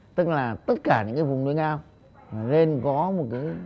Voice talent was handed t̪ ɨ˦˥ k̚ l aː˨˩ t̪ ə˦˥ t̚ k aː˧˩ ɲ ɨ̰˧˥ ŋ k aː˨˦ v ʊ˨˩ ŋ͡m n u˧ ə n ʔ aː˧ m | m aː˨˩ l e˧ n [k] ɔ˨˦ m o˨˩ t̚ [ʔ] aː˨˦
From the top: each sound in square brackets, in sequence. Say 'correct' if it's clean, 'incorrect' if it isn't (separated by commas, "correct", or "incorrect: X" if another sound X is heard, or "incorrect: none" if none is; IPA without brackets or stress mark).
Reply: correct, incorrect: k